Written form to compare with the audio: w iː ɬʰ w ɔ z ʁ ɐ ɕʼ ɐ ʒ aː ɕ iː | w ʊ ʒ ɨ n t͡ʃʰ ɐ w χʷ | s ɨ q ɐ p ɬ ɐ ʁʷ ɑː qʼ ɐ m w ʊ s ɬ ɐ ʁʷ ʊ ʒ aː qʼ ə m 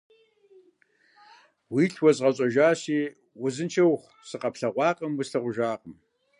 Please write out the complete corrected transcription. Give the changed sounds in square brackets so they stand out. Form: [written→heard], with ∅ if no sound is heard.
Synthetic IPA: w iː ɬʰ w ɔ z ʁ ɐ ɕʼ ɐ ʒ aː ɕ iː | w ʊ [ʒ→z] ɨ n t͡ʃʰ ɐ w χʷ | s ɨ q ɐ p ɬ ɐ ʁʷ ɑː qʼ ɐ m w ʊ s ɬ ɐ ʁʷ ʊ ʒ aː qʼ ə m